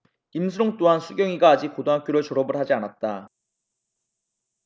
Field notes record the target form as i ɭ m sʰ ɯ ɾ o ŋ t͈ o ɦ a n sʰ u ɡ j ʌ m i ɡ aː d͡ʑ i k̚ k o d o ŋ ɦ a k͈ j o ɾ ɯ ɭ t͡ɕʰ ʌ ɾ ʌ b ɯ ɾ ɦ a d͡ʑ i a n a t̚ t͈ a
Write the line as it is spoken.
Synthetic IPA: i m sʰ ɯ ɾ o ŋ t͈ o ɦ a n sʰ u ɡ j ʌ ŋ i ɡ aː d͡ʑ i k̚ k o d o ŋ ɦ a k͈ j o ɾ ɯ ɭ t͡ɕ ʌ ɾ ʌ b ɯ ɭ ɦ a d͡ʑ i a n a t̚ t͈ a